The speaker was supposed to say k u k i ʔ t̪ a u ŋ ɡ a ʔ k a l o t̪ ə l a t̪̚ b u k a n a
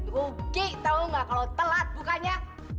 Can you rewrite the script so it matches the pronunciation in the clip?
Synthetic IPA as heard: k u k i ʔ t̪ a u ŋ ɡ a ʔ k a l o t̪ ə l a t̪̚ b u k a ɲ a